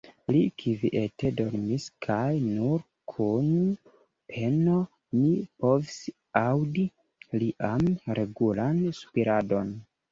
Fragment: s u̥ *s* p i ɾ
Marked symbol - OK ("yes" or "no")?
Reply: no